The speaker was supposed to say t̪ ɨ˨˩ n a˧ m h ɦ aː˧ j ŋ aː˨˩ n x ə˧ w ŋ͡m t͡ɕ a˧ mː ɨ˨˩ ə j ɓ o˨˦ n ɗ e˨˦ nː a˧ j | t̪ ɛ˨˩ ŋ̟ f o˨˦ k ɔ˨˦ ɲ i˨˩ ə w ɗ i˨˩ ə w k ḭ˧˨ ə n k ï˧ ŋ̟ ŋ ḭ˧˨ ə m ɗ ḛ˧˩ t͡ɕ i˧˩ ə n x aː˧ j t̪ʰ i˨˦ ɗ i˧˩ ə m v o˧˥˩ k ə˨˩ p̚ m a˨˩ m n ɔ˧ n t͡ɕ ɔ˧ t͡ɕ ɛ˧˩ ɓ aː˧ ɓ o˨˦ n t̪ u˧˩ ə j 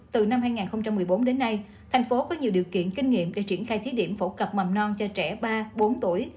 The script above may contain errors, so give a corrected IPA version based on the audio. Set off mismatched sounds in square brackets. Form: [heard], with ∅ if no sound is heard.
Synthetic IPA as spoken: t̪ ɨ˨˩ n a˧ m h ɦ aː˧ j ŋ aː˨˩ n x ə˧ w ŋ͡m t͡ɕ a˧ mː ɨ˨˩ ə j ɓ o˨˦ n ɗ e˨˦ nː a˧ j | [t̪ʰ] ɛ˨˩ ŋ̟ f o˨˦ k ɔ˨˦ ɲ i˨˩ ə w ɗ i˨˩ ə w k ḭ˧˨ ə n k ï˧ ŋ̟ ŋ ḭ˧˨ ə m ɗ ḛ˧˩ t͡ɕ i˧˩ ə n x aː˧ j t̪ʰ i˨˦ ɗ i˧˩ ə m [f] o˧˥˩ k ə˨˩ p̚ m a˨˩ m n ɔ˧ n t͡ɕ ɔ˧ t͡ɕ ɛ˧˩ ɓ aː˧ ɓ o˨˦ n t̪ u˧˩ ə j